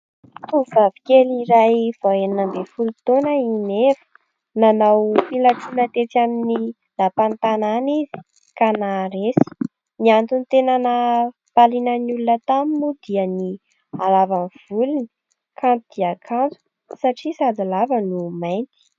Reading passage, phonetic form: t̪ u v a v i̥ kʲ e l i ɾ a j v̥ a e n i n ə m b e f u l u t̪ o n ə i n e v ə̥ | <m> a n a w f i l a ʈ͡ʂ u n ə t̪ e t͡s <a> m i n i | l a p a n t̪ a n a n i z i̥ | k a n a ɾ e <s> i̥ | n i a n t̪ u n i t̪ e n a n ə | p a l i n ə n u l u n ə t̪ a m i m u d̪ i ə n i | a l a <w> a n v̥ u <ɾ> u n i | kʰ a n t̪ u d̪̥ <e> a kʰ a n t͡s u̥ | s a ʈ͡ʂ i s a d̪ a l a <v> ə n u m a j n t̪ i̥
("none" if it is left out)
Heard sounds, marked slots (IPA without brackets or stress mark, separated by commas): n, a, s, v, l, i, v